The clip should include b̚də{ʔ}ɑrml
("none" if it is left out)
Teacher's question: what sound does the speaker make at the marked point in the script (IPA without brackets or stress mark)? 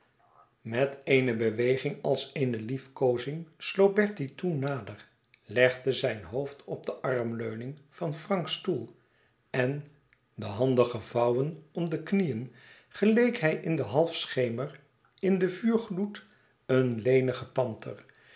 ʔ